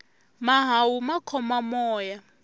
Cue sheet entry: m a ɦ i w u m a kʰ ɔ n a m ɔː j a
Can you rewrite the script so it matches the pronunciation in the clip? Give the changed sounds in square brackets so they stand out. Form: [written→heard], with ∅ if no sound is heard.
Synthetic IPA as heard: m a ɦ [i→a] w u m a kʰ ɔ [n→m] a m ɔː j a